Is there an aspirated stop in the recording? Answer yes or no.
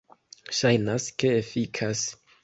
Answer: yes